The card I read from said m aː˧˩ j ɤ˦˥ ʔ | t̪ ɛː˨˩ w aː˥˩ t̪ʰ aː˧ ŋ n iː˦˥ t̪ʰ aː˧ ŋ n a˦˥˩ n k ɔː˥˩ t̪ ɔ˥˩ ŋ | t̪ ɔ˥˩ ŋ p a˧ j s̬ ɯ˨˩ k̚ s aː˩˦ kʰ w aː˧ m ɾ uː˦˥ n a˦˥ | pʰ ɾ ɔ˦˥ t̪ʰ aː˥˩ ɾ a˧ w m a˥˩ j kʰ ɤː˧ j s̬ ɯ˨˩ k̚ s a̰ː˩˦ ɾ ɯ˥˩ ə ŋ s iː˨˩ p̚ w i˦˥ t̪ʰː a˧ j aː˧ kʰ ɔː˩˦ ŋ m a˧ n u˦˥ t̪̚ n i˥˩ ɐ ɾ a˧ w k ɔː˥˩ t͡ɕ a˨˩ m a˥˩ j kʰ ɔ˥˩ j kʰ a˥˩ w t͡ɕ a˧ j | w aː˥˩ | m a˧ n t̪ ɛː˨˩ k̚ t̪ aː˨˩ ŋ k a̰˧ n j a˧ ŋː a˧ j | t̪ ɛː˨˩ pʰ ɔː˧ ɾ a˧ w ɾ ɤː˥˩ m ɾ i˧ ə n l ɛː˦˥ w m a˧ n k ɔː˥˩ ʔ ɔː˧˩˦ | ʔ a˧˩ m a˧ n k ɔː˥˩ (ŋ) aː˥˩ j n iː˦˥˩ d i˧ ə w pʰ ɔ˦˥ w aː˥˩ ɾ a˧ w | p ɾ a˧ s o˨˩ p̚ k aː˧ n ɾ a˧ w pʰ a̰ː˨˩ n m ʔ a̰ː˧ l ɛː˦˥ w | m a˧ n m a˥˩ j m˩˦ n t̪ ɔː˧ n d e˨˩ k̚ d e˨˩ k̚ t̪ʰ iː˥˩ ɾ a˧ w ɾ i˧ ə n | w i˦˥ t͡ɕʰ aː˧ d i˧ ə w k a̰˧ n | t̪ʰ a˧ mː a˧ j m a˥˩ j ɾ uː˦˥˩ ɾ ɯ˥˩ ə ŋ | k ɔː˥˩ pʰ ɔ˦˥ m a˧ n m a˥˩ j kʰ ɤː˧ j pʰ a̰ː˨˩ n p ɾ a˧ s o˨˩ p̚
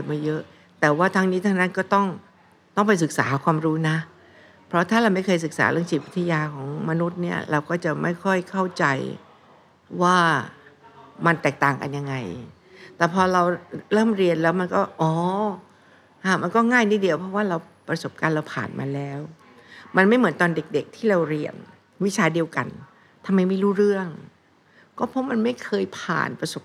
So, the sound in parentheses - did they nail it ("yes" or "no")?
yes